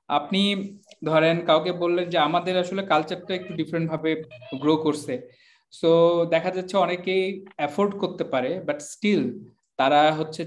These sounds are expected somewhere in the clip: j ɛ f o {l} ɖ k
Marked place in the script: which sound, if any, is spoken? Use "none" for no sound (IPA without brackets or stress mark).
ɾ